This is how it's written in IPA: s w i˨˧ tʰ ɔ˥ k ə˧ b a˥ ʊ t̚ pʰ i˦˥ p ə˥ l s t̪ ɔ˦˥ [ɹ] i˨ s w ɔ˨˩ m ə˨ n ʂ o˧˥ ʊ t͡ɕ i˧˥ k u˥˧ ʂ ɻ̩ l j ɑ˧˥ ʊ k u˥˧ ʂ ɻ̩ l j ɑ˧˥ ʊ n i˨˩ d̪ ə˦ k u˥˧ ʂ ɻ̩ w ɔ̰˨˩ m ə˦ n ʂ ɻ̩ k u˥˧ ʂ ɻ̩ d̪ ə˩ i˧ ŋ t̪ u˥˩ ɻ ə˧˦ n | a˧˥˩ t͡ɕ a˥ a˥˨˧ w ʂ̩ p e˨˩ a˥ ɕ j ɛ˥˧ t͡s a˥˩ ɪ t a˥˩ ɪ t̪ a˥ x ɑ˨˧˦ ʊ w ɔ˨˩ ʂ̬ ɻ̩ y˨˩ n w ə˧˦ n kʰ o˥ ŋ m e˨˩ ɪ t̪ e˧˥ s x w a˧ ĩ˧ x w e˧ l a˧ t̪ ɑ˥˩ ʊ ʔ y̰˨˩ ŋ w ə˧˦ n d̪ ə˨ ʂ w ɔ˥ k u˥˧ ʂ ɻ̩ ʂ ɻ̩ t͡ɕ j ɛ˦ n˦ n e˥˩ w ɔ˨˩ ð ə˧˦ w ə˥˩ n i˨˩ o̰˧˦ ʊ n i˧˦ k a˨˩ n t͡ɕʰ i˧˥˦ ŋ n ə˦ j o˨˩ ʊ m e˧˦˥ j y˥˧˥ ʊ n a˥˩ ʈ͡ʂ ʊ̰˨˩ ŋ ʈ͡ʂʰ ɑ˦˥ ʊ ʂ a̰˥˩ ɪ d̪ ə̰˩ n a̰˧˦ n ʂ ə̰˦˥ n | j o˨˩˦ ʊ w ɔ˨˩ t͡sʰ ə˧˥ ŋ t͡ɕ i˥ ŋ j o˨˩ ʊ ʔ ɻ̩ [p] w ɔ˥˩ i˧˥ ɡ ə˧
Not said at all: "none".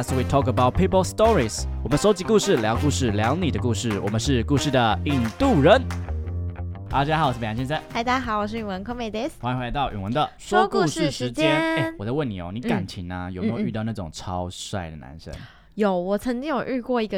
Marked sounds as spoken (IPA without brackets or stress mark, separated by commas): ɹ, k